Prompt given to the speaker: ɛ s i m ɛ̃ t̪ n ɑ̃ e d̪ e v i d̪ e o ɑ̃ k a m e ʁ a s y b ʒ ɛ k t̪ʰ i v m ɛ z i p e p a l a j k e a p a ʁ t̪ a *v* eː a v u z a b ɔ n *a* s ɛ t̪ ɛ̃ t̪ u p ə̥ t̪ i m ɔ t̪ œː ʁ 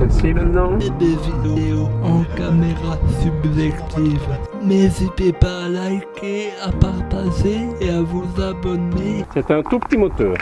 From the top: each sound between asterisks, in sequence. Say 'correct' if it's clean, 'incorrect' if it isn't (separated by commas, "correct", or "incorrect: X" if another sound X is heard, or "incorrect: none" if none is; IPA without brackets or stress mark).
incorrect: ʒ, incorrect: e